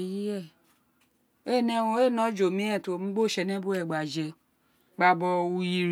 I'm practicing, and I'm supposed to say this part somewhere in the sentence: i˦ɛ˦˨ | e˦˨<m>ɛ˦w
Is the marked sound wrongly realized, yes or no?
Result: yes